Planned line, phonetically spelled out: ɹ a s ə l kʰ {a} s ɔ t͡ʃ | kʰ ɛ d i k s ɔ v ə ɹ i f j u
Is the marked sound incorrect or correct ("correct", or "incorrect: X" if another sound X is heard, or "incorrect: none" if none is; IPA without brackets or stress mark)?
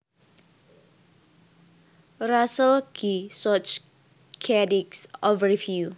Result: incorrect: i